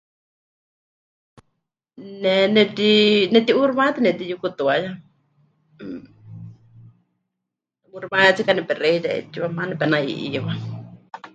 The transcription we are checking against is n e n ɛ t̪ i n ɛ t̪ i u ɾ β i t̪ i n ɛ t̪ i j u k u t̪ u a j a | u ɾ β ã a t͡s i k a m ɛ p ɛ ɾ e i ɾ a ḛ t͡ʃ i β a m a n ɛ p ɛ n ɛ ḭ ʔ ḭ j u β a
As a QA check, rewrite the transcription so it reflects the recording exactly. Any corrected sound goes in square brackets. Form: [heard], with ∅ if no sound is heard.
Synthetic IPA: n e n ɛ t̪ i n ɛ t̪ i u ɾ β [a] t̪ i n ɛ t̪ i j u k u t̪ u a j a | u ɾ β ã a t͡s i k a [n] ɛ p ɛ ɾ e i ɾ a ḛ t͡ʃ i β a m a n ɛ p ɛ n [a] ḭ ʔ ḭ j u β a